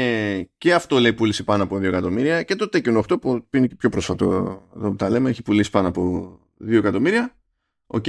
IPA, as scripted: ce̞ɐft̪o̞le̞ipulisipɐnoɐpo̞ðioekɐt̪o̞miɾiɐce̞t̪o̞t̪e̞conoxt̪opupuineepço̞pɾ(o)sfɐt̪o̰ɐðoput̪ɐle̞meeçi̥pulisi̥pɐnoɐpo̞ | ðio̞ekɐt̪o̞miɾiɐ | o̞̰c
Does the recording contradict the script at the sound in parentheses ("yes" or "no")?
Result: no